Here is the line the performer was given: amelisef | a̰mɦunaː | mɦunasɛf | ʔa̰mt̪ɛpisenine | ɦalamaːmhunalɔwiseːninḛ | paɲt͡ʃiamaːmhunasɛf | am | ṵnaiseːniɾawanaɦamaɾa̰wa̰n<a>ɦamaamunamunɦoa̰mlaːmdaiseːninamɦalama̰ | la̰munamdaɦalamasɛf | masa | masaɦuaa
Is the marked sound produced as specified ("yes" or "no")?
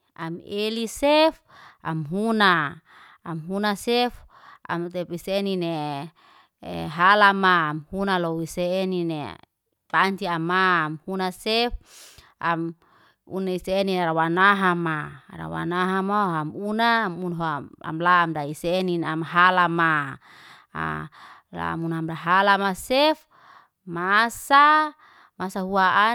yes